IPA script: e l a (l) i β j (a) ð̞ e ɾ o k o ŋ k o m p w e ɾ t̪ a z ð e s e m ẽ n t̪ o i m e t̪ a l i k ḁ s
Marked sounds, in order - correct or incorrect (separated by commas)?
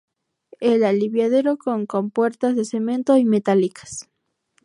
correct, correct